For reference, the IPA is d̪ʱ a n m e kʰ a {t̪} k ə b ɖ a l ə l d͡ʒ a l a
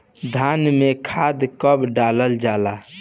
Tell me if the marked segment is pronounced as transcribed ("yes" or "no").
no